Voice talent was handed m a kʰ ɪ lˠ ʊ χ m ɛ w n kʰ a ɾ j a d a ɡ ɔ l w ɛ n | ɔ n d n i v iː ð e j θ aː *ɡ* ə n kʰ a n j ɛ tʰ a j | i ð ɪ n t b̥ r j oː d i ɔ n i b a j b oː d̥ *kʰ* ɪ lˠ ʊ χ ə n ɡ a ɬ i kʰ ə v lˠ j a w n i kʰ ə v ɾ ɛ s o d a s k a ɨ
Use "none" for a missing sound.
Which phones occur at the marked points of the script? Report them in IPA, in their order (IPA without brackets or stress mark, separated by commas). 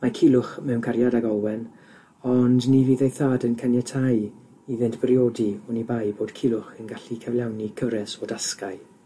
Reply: d, kʰ